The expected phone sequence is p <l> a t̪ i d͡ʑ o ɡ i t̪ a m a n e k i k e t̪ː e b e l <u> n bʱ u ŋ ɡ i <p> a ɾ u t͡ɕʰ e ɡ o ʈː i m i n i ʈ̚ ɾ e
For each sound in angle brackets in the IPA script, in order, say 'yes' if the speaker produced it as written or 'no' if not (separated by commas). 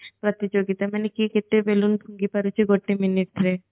no, yes, yes